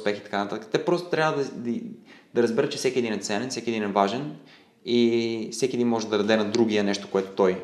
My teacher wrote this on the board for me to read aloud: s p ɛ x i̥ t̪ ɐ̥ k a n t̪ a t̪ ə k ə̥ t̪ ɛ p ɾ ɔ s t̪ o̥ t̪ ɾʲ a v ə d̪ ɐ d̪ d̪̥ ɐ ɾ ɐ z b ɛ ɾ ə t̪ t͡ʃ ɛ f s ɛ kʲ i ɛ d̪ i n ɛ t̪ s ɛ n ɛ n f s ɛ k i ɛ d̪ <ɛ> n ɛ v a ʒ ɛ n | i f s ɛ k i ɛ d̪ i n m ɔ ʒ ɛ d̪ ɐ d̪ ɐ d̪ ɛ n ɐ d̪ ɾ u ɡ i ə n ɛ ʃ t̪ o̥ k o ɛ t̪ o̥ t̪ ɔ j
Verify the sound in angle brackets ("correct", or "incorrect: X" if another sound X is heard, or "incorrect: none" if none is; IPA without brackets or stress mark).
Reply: incorrect: i